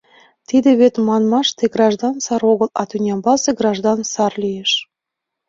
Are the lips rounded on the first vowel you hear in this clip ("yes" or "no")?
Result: no